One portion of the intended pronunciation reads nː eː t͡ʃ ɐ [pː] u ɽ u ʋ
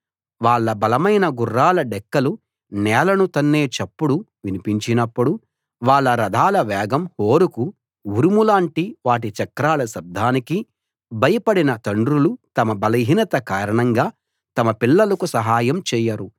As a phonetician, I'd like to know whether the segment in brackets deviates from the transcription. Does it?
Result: no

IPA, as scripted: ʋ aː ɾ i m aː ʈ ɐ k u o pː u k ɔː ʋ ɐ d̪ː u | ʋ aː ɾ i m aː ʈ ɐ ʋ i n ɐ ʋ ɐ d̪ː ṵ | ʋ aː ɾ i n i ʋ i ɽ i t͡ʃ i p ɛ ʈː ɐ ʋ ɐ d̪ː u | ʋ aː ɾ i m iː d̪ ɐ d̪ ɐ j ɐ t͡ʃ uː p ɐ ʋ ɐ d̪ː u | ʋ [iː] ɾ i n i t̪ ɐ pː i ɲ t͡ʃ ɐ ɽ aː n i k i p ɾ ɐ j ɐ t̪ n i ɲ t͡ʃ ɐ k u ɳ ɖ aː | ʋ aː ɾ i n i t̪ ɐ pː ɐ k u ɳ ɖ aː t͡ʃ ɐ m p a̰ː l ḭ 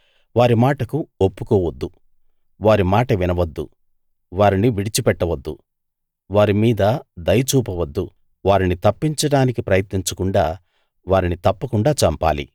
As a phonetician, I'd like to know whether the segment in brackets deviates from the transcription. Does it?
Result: yes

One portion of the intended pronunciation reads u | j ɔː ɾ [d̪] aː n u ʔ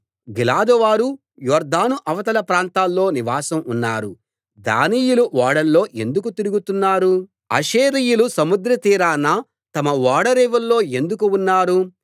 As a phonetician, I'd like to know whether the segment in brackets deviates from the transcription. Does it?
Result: no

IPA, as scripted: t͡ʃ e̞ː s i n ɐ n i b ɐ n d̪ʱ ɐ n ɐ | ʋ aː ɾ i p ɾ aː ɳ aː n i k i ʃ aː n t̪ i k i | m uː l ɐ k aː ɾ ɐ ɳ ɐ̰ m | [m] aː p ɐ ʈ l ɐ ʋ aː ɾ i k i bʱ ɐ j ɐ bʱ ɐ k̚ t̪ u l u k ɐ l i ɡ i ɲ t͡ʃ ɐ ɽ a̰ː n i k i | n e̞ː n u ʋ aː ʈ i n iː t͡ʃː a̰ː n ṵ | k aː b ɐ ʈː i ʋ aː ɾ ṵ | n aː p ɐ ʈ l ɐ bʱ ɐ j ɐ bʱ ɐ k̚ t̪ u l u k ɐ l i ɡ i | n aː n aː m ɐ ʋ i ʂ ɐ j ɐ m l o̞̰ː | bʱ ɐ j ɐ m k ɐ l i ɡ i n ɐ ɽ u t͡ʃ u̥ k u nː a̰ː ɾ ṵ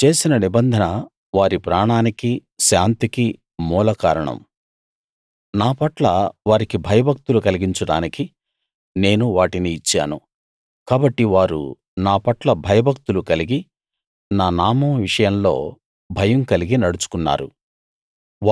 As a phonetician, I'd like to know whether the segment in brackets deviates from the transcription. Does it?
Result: yes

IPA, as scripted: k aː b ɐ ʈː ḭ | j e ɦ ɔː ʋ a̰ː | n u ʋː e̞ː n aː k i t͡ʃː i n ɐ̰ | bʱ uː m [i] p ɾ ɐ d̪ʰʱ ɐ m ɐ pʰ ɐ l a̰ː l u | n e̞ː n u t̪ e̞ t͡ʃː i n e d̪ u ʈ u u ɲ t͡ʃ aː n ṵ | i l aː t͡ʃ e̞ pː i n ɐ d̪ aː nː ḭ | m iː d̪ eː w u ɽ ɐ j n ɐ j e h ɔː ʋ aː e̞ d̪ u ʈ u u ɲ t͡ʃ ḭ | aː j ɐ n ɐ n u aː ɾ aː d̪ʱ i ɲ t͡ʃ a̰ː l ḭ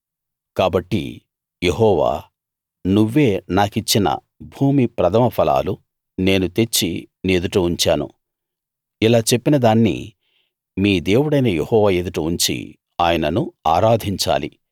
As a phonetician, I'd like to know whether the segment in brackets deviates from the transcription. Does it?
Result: no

